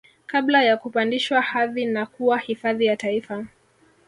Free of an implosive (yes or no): yes